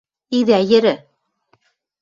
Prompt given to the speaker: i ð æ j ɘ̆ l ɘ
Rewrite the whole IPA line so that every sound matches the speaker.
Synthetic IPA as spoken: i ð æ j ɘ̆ ɾ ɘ